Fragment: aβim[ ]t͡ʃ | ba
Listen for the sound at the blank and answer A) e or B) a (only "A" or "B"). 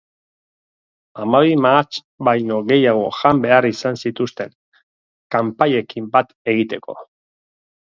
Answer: B